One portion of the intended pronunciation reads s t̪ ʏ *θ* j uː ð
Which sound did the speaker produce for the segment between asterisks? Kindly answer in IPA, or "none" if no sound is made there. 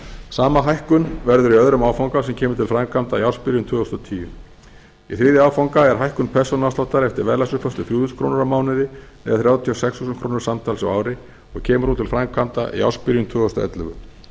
θ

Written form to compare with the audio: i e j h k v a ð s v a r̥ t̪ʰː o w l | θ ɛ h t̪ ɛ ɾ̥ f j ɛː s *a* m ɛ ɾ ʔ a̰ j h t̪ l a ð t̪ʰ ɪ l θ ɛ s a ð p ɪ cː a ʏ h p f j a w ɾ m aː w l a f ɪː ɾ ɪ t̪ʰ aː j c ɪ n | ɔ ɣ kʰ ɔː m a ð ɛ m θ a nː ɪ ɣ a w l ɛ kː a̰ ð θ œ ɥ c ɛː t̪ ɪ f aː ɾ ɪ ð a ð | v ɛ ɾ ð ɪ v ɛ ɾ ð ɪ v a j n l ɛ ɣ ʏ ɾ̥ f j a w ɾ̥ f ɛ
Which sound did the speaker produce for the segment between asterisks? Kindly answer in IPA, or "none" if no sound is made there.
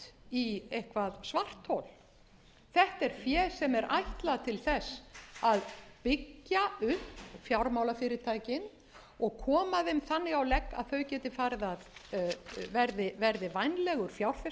ɛ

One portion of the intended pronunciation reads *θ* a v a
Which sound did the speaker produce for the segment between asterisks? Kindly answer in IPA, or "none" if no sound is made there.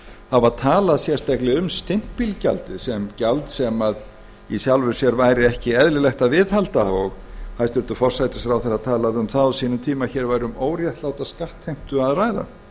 h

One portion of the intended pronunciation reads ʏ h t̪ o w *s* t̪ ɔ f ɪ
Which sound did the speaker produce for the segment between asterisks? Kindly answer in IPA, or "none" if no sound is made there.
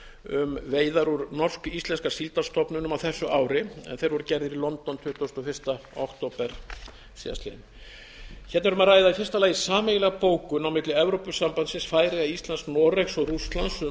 s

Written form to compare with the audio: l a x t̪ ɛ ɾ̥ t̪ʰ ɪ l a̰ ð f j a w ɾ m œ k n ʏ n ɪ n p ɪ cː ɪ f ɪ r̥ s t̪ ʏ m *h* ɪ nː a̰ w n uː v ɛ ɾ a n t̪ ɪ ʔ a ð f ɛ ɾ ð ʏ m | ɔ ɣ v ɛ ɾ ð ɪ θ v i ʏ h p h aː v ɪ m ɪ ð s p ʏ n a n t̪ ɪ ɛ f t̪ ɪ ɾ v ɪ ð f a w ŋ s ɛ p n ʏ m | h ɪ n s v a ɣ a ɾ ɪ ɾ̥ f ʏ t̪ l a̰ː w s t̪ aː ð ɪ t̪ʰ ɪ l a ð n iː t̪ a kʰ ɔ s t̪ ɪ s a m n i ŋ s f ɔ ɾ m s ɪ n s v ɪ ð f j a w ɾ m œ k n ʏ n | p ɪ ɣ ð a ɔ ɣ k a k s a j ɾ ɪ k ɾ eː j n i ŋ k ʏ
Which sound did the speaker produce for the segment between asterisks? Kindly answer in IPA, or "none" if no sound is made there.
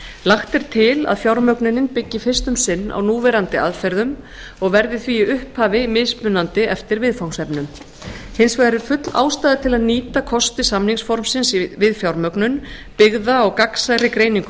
s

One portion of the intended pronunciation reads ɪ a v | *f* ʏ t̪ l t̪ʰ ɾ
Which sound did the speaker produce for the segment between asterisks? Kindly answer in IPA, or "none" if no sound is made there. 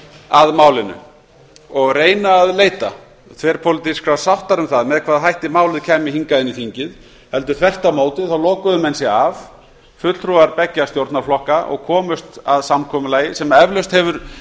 f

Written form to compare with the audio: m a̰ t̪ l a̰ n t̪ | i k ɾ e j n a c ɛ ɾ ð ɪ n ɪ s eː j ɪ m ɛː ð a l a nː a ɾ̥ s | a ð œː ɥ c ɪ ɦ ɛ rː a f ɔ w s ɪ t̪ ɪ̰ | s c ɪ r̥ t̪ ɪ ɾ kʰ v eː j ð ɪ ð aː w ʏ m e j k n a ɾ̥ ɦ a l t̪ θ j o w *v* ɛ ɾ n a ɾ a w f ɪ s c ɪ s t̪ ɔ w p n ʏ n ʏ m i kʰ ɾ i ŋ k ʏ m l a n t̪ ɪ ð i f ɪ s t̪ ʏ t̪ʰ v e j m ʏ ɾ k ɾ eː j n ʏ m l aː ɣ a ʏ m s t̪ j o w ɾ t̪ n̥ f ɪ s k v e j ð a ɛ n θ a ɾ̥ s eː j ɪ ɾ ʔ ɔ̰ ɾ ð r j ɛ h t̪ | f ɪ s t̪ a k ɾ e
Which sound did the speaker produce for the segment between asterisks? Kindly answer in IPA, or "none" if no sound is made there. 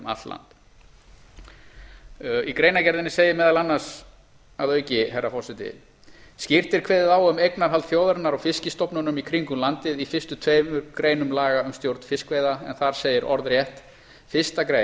ð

